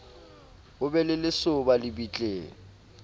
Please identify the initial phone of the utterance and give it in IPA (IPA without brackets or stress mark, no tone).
ʊ